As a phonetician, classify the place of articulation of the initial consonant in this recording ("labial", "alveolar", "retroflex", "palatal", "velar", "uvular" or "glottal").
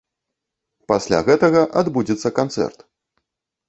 labial